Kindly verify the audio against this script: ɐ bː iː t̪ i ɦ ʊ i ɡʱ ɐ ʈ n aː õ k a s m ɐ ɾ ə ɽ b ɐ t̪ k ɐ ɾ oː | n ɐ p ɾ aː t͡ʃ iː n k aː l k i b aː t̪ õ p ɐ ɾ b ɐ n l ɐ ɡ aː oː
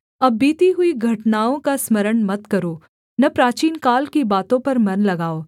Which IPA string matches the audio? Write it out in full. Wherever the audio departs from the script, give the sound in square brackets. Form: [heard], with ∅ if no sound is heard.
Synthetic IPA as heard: ɐ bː iː t̪ i ɦ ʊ i ɡʱ ɐ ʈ n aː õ k a s m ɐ ɾ ə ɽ [m] ɐ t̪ k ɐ ɾ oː | n ɐ p ɾ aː t͡ʃ iː n k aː l k i b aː t̪ õ p ɐ ɾ [m] ɐ n l ɐ ɡ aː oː